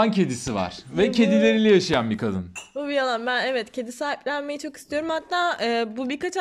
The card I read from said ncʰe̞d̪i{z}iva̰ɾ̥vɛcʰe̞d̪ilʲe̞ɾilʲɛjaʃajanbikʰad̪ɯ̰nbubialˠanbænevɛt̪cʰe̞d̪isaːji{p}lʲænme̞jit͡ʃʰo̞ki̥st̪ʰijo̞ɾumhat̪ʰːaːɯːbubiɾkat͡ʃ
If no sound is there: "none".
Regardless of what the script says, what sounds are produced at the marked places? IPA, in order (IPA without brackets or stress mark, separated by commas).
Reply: s, p